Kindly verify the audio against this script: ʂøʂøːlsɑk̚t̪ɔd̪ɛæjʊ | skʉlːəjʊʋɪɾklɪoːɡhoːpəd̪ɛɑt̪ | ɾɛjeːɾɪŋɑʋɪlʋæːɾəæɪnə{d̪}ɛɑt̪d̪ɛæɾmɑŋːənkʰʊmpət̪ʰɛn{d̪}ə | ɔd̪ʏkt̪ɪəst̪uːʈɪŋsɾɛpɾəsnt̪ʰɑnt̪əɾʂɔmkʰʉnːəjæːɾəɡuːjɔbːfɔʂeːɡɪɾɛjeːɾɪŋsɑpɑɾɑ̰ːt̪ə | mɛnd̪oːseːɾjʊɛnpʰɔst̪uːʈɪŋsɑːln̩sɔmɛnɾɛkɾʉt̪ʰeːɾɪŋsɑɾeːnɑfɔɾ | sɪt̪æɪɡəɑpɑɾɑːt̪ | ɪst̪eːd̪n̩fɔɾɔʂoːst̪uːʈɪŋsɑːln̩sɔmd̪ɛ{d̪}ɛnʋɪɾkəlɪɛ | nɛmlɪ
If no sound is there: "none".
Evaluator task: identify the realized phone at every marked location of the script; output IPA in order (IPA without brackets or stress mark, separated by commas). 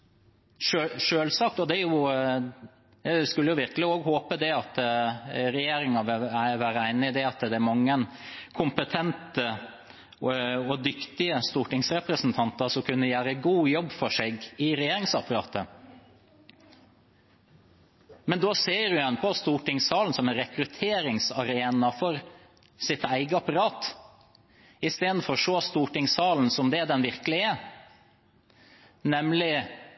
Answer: d̪, t̪, d̪